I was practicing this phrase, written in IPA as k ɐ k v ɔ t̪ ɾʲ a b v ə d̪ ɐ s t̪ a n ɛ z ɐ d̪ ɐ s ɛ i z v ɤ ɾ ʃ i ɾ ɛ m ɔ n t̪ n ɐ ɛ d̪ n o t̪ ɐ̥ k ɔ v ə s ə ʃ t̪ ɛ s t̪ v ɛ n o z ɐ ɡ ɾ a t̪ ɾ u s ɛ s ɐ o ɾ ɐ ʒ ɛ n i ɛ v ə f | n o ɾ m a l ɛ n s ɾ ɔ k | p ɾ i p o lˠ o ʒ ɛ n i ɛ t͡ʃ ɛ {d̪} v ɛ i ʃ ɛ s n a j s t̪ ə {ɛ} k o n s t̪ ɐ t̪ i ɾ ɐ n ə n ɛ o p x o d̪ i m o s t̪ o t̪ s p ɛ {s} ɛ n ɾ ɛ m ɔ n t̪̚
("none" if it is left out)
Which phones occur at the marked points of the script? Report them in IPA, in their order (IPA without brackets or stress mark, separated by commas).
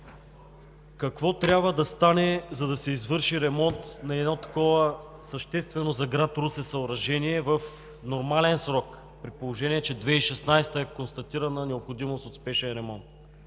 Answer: d̪, ɛ, ʃ